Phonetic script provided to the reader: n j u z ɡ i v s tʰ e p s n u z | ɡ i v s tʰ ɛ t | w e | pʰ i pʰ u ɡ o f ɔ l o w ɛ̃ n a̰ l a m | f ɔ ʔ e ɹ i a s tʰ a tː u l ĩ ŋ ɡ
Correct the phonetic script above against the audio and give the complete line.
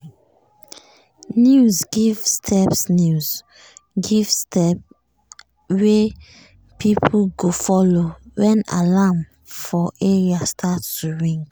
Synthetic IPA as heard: n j u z ɡ i v s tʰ ɛ p s n u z | ɡ i v s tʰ ɛ p | w e | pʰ i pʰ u ɡ o f ɔ l o w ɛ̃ n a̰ l a m | f ɔ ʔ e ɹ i a s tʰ a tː u ɹ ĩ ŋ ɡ